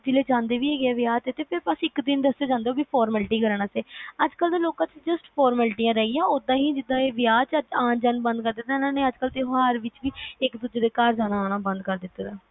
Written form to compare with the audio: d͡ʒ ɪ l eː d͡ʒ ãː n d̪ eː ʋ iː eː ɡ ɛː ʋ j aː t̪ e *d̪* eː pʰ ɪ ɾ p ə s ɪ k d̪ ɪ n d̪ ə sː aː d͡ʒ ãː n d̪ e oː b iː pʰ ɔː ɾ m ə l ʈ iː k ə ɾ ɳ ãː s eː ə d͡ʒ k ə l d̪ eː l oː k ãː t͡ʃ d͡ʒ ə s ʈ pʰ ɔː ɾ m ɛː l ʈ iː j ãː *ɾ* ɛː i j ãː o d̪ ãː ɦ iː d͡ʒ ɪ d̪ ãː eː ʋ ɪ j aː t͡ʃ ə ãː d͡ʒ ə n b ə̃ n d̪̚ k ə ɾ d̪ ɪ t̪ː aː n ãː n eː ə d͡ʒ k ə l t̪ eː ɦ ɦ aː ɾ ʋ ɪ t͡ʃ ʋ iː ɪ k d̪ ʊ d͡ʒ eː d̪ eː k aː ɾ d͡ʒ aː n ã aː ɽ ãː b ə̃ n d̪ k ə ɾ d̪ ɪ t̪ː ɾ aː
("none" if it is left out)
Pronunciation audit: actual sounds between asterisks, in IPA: t̪, ɾ

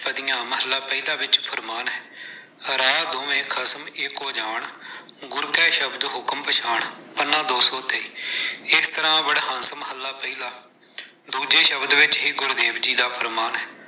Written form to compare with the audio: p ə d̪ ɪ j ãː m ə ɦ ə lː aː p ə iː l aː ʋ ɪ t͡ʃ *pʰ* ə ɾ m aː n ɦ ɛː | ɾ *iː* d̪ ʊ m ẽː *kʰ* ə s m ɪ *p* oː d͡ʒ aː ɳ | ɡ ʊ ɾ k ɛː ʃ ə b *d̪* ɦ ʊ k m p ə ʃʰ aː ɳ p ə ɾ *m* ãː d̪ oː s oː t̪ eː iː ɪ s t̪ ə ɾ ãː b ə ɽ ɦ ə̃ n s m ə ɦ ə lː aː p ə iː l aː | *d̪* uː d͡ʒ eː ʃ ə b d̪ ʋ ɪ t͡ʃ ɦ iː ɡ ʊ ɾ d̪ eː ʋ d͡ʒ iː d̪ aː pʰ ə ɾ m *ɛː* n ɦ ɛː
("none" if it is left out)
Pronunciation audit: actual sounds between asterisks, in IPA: pʰ, aː, kʰ, k, d̪, n, d̪, aː

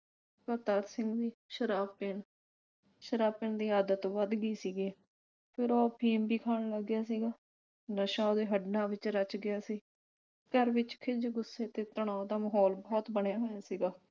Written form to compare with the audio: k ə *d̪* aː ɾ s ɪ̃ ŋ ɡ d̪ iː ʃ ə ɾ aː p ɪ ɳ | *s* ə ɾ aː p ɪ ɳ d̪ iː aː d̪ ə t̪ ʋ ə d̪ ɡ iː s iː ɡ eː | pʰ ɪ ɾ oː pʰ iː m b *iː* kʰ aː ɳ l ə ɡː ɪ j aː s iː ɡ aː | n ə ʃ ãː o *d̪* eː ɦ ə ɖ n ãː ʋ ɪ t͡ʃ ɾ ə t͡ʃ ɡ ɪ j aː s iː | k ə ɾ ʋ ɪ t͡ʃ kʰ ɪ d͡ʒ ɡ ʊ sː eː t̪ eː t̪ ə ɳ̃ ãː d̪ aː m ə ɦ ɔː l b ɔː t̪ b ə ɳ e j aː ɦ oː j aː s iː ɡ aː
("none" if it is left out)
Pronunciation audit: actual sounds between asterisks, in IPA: t̪, ʃ, iː, d̪

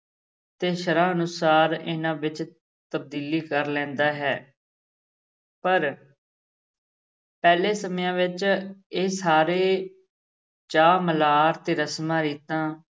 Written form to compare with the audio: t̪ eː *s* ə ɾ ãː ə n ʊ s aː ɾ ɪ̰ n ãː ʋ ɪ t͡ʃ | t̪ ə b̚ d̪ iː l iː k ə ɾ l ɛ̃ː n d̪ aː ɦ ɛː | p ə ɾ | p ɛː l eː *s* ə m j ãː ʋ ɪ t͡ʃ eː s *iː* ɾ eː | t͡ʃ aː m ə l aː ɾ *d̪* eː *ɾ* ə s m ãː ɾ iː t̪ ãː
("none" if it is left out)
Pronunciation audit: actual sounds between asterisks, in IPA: ʃ, s, aː, t̪, ɾ

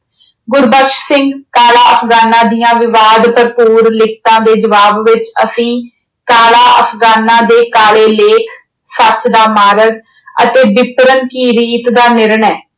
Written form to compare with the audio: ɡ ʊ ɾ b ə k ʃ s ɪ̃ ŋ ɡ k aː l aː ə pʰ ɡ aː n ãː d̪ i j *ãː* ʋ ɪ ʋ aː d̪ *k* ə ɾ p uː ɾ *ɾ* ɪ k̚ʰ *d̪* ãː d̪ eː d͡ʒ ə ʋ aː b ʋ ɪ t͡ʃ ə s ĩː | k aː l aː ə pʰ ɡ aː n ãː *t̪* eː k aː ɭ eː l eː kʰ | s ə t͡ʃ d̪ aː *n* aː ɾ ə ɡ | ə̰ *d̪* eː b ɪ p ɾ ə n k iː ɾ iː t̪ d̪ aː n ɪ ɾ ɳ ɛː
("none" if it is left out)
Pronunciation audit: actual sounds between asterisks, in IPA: ãː, p, l, t̪, d̪, m, t̪

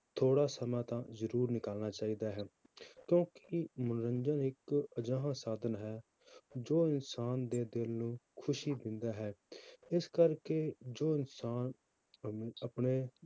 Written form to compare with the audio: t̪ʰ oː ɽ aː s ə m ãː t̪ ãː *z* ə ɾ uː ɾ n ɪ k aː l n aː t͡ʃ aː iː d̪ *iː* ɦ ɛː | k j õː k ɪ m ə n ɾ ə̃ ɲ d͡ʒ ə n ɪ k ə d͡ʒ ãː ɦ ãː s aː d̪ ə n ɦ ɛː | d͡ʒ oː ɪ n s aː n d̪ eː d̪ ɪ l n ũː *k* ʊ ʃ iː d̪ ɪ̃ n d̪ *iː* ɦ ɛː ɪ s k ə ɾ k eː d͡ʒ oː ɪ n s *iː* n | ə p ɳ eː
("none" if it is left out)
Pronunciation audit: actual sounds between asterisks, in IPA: z, aː, kʰ, aː, aː

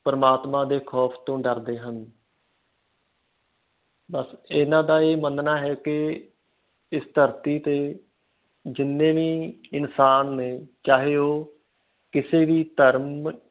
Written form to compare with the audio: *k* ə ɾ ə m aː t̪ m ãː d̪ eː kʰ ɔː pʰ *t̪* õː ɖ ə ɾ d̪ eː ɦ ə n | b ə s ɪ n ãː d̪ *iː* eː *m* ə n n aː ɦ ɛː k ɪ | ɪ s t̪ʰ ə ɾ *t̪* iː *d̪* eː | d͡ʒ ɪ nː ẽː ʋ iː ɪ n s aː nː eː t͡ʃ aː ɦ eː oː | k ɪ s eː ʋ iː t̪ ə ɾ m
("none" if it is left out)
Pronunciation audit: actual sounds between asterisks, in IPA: p, t̪, aː, m, t̪, t̪

